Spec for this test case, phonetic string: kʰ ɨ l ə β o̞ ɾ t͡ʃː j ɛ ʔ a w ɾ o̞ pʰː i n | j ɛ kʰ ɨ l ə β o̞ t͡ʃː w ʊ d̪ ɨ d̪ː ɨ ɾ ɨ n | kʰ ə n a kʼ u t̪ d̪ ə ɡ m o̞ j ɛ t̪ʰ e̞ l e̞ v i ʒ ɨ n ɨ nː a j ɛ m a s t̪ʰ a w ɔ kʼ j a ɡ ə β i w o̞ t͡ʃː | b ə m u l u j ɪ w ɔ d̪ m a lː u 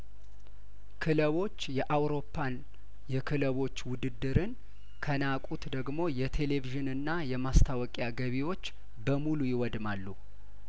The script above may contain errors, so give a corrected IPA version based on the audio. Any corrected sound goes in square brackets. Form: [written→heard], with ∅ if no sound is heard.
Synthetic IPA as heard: kʰ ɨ l ə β o̞ [ɾ→∅] t͡ʃː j ɛ ʔ a w ɾ o̞ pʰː [i→a] n | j ɛ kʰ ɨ l ə β o̞ t͡ʃː w ʊ d̪ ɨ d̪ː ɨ ɾ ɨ n | kʰ ə n a kʼ u t̪ d̪ ə ɡ m o̞ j ɛ t̪ʰ e̞ l e̞ v i ʒ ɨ n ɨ nː a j ɛ m a s t̪ʰ a w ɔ kʼ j a ɡ ə β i w o̞ t͡ʃː | b ə m u l u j ɪ w ɔ d̪ m a lː u